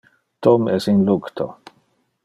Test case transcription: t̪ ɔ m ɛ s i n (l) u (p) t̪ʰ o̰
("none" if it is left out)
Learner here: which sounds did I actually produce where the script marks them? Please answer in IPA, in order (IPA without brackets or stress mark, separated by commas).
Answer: l, k